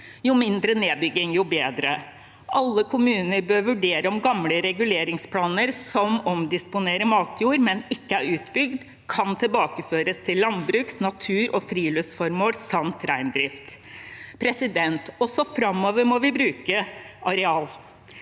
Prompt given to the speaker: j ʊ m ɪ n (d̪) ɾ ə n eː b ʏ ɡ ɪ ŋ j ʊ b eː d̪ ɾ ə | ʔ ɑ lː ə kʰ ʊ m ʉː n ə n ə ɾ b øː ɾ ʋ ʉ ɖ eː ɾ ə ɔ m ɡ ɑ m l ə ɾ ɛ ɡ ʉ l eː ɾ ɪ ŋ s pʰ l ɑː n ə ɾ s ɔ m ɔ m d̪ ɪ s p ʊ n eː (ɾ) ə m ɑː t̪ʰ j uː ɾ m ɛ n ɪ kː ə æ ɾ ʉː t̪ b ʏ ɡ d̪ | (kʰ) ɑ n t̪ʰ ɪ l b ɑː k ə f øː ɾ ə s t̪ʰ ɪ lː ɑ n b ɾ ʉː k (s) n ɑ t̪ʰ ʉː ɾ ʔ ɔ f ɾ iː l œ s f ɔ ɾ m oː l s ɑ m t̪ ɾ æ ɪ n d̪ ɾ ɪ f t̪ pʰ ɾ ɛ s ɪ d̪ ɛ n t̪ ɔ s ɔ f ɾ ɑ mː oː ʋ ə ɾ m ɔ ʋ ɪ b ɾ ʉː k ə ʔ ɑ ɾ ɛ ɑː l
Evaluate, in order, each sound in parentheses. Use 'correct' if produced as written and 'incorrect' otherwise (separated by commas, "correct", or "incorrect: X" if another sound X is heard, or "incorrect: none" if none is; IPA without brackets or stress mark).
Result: correct, correct, correct, correct